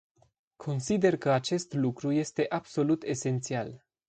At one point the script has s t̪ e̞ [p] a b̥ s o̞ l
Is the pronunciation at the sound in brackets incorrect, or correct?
incorrect